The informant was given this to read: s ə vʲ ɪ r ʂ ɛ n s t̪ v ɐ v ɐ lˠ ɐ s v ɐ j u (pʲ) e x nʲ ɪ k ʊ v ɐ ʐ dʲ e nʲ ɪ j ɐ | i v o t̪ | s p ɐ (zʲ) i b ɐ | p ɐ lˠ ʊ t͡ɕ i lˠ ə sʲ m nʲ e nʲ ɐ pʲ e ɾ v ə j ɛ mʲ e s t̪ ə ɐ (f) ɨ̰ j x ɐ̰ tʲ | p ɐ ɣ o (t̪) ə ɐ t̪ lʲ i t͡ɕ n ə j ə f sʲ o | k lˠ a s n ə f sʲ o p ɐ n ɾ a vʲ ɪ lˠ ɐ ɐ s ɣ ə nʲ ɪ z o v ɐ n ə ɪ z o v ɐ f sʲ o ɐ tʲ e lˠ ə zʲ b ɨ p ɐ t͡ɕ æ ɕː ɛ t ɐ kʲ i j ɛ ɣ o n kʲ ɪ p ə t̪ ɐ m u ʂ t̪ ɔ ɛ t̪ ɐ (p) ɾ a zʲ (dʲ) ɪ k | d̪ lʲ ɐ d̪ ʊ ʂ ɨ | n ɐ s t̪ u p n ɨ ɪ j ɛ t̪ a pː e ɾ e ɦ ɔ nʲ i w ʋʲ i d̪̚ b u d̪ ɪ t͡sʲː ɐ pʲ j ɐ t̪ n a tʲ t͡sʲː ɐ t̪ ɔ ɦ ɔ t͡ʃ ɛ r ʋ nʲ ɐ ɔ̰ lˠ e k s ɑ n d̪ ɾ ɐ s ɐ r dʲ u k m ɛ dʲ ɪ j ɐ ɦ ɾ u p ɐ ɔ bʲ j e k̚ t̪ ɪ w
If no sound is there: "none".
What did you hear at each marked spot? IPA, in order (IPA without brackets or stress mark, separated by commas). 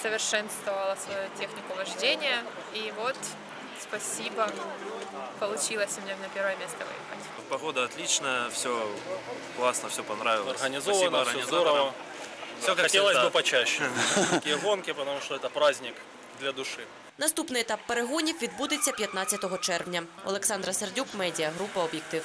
tʲ, sʲ, v, d̪, p, nʲ